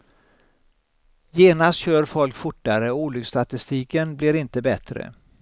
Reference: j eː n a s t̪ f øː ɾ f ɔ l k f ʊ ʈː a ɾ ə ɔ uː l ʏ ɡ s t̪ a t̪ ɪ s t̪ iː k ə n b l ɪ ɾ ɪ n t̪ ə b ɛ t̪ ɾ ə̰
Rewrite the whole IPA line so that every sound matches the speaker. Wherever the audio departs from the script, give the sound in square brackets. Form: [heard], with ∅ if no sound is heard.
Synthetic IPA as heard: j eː n a s t̪ [ɕ] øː ɾ f ɔ l k f ʊ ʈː a ɾ ə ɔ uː l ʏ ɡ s t̪ a t̪ ɪ s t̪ iː k ə n b l ɪ ɾ ɪ n t̪ ə b ɛ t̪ ɾ ə̰